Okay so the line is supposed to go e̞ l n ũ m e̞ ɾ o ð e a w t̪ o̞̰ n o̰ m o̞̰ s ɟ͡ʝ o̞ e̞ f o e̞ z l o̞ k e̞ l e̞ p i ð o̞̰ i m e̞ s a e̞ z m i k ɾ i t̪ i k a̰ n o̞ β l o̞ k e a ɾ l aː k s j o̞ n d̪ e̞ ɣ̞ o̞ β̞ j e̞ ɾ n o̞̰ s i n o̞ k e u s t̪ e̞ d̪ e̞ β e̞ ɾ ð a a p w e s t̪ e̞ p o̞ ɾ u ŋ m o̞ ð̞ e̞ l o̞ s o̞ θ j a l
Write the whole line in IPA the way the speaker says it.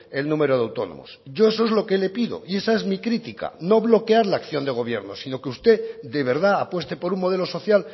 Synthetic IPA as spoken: e̞ l n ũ m e̞ ɾ o ð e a w t̪ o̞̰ n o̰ m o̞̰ s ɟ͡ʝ o̞ e̞ s o e̞ z l o̞ k e̞ l e̞ p i ð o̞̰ i e̞ s a e̞ z m i k ɾ i t̪ i k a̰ n o̞ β l o̞ k e a ɾ l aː k θ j o̞ n d̪ e̞ ɣ̞ o̞ β̞ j e̞ ɾ n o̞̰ s i n o̞ k e u s t̪ e̞ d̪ e̞ β e̞ ɾ ð a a p w e s t̪ e̞ p o̞ ɾ u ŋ m o̞ ð̞ e̞ l o̞ s o̞ θ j a l